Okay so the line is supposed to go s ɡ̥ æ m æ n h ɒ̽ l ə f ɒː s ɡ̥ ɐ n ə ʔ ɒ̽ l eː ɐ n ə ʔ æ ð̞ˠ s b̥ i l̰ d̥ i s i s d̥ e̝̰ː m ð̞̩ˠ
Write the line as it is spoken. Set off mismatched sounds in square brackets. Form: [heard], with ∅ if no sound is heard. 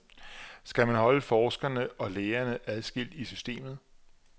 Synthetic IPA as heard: s ɡ̥ æ m æ n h ɒ̽ l ə f ɒː s ɡ̥ ɐ n ə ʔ ɒ̽ l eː ɐ n ə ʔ æ ð̞ˠ s [ɡ̥] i l̰ d̥ i s [y] s d̥ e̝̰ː m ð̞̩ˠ